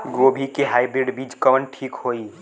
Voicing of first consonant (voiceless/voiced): voiced